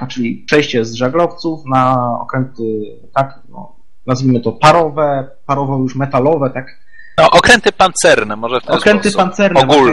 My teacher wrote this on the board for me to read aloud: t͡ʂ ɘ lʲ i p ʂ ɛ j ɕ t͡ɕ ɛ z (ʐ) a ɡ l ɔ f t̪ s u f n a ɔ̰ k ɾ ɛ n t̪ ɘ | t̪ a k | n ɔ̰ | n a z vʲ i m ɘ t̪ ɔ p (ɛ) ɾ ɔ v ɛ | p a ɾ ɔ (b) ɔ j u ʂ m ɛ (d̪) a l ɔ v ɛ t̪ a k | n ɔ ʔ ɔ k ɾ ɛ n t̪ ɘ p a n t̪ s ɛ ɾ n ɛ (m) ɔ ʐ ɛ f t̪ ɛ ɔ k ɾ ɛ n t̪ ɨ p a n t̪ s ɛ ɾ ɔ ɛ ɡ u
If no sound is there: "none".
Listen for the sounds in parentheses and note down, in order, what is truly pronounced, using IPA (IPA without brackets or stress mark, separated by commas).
ʐ, a, v, t̪, m